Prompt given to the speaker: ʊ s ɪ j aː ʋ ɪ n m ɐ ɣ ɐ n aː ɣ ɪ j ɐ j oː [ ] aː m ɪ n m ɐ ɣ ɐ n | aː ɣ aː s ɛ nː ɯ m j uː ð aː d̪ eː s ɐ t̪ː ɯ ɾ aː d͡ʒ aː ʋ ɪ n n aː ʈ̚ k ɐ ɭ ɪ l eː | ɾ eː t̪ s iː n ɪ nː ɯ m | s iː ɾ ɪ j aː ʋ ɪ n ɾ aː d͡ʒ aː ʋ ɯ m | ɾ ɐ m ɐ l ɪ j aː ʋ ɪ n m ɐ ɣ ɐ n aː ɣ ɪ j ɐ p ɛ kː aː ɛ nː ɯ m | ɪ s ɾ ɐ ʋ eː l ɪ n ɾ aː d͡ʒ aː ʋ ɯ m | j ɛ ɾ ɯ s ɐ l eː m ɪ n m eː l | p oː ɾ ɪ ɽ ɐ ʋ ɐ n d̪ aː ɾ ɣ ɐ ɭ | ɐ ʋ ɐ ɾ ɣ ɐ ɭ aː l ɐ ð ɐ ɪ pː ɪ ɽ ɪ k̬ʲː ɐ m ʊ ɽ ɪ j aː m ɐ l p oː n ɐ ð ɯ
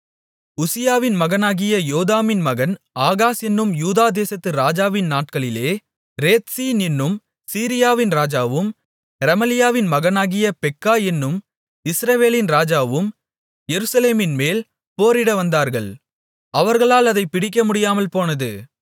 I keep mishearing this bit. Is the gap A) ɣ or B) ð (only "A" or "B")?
B